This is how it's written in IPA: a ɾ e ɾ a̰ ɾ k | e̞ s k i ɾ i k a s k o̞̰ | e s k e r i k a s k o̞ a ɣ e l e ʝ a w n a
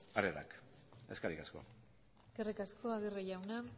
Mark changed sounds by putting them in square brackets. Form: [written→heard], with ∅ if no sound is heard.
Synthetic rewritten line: a ɾ e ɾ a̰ [ɾ→∅] k | e̞ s k [i→a] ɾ i k a s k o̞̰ | e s k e r i k a s k o̞ a ɣ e [l→r] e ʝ a w n a